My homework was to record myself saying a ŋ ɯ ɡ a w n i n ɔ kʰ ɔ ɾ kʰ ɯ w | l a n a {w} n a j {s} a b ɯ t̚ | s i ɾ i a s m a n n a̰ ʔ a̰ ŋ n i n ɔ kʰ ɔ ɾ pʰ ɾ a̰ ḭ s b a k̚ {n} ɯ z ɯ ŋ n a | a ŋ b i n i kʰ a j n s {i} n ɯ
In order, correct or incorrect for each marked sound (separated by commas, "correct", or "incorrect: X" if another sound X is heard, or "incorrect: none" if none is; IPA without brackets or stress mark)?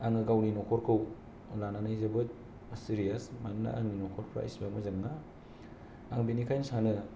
incorrect: none, incorrect: z, incorrect: m, incorrect: a